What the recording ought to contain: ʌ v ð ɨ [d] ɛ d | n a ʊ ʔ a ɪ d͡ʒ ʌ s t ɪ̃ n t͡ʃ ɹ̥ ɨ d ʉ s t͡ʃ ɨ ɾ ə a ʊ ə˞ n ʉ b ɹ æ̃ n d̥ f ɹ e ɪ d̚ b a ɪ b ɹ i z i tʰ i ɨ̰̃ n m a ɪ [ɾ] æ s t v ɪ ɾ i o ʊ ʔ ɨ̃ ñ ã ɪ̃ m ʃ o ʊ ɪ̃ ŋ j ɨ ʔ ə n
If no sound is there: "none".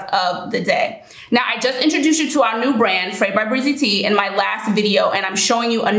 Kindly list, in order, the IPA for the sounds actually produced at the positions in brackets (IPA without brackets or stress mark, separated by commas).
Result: d, l